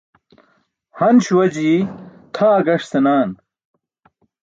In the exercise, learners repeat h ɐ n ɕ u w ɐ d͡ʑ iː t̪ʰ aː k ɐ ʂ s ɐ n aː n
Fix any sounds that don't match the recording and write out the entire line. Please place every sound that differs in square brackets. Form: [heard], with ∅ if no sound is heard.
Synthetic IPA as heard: h ɐ n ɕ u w ɐ d͡ʑ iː t̪ʰ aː [ɡ] ɐ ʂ s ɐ n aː n